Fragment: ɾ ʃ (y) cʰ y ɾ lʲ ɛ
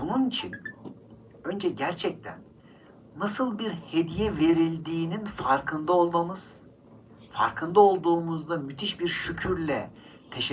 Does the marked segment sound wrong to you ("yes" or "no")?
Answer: no